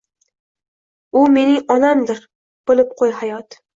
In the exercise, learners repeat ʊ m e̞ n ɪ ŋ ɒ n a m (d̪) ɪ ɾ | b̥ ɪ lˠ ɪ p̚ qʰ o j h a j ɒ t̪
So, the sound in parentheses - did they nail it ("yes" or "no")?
yes